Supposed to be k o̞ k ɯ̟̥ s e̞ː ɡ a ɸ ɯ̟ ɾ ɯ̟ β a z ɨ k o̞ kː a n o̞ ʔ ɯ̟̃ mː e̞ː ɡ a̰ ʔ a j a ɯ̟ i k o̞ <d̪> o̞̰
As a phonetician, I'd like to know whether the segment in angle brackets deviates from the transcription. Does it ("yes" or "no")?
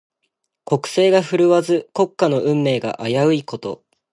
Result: yes